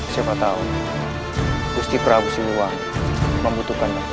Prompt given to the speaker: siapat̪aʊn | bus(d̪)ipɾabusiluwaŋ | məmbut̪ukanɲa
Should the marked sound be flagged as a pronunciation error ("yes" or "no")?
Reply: yes